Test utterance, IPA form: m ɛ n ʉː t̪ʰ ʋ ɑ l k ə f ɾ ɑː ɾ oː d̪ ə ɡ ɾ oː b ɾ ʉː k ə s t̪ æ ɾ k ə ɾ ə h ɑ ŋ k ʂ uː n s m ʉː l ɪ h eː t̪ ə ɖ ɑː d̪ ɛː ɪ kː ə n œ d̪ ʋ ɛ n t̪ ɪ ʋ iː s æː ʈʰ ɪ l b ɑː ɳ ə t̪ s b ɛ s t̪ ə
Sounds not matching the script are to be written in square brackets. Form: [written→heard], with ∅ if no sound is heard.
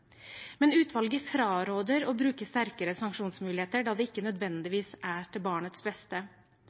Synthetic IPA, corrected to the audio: m ɛ n ʉː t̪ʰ ʋ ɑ l [k→ɡ] ə f ɾ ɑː ɾ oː d̪ ə [ɡ→∅] ɾ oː b ɾ ʉː k ə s t̪ æ ɾ k ə ɾ ə [h→s] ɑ ŋ k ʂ uː n s m ʉː l ɪ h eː t̪ ə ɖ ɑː d̪ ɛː ɪ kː ə n œ d̪ ʋ ɛ n [t̪→d̪] ɪ ʋ iː s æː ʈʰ ɪ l b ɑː ɳ ə t̪ s b ɛ s t̪ ə

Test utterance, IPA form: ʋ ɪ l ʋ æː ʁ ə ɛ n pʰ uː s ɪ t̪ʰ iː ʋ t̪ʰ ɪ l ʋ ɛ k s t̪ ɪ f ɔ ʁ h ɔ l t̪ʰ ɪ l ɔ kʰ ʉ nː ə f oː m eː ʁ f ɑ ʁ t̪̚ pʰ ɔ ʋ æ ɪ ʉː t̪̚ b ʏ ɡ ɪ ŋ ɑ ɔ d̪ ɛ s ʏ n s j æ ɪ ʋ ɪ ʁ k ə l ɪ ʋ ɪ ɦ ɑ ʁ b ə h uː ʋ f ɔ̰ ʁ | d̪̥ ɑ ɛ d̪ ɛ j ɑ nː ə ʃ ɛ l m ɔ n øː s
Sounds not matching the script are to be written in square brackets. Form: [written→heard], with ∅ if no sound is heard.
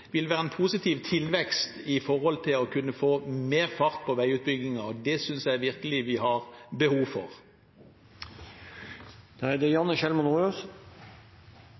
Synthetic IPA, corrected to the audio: ʋ ɪ l ʋ æː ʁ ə ɛ n pʰ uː s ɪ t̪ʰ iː ʋ t̪ʰ ɪ l ʋ ɛ k s t̪ ɪ f ɔ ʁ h ɔ l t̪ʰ ɪ l ɔ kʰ ʉ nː ə f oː m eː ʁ f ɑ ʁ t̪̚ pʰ ɔ ʋ æ ɪ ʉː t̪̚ b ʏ ɡ ɪ ŋ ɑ ɔ d̪ ɛ s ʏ n s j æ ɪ ʋ ɪ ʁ k ə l ɪ ʋ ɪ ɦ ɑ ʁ b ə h uː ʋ f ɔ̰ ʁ | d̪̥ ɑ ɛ d̪ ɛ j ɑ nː ə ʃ ɛ l m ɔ n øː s

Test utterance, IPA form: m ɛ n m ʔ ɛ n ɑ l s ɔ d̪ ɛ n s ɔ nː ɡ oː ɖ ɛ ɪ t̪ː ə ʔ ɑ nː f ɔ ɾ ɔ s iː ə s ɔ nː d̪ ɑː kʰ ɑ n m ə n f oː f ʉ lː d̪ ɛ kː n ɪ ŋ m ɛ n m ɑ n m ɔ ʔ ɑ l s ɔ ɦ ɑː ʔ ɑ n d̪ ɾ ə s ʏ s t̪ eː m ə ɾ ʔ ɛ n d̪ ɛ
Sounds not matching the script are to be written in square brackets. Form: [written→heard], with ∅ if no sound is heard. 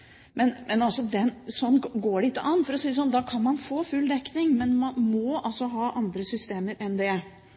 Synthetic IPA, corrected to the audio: m ɛ n m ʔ ɛ n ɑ l s ɔ d̪ ɛ n s ɔ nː ɡ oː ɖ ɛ ɪ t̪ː ə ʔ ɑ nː f ɔ ɾ ɔ s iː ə s ɔ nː d̪ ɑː kʰ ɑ n m [ə→ɑ] n f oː f ʉ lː d̪ ɛ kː n ɪ ŋ m ɛ n m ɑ n m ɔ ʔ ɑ l s ɔ ɦ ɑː ʔ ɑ n d̪ ɾ ə s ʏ s t̪ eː m ə ɾ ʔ ɛ n d̪ ɛ

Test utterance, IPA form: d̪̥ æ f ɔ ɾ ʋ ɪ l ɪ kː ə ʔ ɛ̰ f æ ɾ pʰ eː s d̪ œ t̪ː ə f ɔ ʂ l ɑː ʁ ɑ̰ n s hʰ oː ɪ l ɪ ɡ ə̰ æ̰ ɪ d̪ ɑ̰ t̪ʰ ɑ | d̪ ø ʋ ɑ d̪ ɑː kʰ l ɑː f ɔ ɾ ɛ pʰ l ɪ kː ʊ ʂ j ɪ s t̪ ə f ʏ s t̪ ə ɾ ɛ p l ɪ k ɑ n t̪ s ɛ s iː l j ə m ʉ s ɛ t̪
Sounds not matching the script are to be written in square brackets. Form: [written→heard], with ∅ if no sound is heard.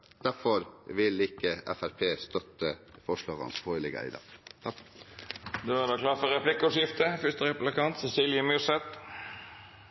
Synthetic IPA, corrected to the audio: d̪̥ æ f ɔ ɾ ʋ ɪ l ɪ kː ə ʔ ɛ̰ f æ ɾ pʰ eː s [d̪→t̪] œ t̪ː ə f ɔ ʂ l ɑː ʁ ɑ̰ n s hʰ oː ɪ l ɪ ɡ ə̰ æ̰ ɪ d̪ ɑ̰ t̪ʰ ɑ | d̪ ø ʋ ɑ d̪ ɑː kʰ l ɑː f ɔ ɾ ɛ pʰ l ɪ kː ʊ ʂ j ɪ [s→f] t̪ ə f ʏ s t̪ ə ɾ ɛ p l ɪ k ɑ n t̪ s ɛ s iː l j ə m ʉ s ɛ t̪

